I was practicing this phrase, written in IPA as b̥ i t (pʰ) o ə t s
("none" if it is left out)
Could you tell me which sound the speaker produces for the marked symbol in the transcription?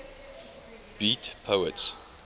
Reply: pʰ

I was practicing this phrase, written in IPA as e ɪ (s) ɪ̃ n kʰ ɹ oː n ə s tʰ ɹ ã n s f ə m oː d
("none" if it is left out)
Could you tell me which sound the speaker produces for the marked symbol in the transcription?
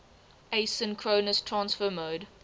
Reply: s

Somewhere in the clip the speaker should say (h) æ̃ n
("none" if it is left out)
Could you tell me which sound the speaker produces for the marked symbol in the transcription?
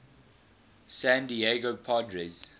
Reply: s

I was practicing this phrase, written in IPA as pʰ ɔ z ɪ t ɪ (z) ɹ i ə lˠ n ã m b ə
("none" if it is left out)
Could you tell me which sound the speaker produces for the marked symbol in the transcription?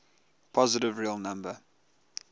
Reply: v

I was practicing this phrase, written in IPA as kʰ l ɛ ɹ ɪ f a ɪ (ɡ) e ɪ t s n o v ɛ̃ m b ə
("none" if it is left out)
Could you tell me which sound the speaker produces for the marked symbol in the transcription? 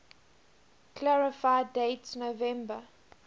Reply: d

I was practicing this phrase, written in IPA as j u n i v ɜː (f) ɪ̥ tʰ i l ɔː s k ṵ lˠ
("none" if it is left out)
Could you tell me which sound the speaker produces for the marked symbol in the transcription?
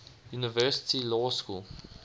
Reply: s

